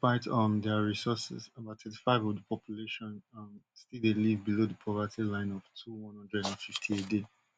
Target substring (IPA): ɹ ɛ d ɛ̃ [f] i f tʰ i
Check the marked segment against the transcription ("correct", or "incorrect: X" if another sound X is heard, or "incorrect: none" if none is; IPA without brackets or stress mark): correct